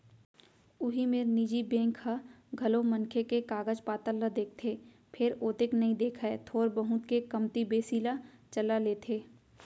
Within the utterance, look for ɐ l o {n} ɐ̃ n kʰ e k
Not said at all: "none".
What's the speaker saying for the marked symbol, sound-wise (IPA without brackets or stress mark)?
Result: m